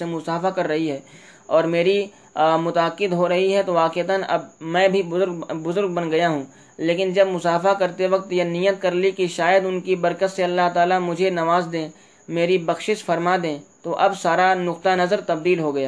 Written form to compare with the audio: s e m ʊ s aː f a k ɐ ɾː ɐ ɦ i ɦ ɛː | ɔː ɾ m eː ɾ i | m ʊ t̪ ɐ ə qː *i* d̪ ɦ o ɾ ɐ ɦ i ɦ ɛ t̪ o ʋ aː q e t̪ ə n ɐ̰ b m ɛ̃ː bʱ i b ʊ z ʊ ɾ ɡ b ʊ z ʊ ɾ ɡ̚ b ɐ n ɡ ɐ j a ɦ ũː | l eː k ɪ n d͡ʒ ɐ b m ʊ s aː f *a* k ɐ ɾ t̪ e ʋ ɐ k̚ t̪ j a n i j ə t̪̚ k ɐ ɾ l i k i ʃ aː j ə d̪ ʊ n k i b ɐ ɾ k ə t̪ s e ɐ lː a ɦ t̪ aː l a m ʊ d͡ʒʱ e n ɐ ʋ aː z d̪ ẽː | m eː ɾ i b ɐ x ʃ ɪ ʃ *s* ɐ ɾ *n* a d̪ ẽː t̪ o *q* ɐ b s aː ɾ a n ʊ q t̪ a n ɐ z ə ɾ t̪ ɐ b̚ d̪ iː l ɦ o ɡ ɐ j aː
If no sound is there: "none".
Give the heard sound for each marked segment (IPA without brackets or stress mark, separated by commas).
ɪ, a, f, m, ʔ